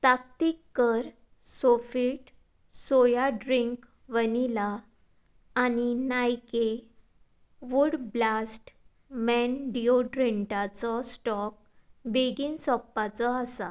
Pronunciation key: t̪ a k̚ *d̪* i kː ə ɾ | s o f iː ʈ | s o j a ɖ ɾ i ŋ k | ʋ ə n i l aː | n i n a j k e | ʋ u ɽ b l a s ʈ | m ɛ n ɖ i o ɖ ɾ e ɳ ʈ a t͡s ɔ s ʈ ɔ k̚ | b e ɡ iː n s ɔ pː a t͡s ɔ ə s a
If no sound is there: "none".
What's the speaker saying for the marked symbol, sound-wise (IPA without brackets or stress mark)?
t̪